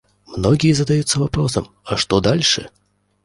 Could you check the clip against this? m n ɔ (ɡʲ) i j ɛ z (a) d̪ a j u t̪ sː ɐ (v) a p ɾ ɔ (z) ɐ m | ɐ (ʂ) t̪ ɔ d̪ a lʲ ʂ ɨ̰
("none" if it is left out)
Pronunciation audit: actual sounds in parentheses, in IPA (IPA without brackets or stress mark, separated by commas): ɡʲ, ɐ, v, s, ʂ